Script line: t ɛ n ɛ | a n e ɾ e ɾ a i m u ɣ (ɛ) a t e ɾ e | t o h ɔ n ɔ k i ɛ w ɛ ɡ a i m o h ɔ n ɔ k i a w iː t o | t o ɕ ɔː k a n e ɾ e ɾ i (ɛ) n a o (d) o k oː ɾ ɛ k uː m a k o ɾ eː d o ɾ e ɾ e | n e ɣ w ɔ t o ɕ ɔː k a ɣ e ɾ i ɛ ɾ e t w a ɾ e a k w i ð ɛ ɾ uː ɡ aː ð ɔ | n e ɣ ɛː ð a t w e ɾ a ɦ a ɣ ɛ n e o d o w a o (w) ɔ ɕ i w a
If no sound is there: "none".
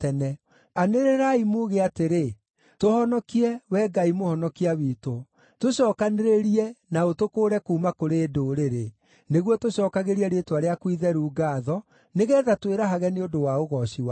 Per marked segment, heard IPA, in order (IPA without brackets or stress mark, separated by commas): e, ɛ, t, ɣ